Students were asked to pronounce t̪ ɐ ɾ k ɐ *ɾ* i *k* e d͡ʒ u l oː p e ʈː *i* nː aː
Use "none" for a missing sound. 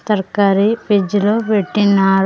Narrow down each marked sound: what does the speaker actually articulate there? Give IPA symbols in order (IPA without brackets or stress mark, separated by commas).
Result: ɾ, p, i